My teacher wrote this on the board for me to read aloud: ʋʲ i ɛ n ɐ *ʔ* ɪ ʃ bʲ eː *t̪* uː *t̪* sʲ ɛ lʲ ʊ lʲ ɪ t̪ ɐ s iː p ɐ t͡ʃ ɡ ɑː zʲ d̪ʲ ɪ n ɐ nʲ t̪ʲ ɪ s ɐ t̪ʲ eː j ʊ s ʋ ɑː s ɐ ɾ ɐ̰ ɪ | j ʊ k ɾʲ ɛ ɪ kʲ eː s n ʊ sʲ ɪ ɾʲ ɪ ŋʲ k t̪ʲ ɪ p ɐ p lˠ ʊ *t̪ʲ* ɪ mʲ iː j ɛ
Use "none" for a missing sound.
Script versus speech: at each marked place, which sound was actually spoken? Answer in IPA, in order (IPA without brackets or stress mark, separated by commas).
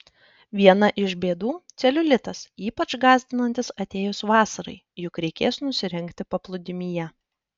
ʔ, d̪, t̪, d̪ʲ